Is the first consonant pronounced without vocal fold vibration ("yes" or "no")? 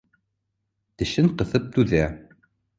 yes